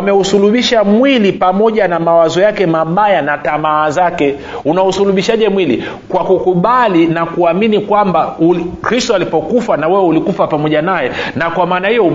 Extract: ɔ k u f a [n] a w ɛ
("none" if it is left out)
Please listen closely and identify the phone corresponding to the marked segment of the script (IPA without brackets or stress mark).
n